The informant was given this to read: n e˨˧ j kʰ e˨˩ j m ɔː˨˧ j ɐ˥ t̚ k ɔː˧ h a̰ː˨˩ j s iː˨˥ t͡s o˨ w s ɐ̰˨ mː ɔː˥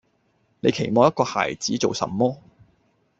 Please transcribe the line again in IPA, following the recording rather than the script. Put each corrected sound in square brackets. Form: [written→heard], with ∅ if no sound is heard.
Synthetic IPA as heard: n e˨˧ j kʰ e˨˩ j m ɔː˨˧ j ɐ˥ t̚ k ɔː˧ h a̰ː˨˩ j [s→t͡s] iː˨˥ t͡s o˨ w s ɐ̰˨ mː ɔː˥